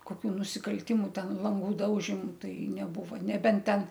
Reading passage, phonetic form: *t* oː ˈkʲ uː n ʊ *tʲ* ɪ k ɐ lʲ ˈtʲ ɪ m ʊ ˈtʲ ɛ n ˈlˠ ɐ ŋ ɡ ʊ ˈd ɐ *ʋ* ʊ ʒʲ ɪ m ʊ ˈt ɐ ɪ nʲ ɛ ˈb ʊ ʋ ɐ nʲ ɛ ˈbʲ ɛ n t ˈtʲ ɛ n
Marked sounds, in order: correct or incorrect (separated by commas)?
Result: incorrect, incorrect, incorrect